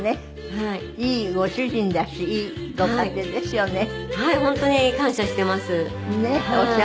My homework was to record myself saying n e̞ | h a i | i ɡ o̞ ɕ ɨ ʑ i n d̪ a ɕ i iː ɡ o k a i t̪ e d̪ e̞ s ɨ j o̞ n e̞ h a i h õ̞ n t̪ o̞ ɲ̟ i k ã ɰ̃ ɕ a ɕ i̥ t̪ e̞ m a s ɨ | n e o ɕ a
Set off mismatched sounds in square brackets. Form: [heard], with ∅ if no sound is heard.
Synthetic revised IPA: n e̞ | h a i | [iː] ɡ o̞ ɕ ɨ ʑ [ĩ] n d̪ a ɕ i iː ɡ o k a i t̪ e d̪ e̞ s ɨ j o̞ n e̞ h a i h õ̞ n t̪ o̞ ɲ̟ i k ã ɰ̃ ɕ a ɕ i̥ t̪ e̞ m a s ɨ | n e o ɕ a